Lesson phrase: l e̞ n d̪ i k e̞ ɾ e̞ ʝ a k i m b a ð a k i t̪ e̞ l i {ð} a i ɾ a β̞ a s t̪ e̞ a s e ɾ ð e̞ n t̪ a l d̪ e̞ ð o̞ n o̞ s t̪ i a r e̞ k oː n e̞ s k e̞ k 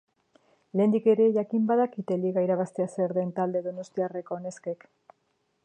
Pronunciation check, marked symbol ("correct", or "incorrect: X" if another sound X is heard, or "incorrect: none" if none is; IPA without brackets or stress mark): incorrect: ɣ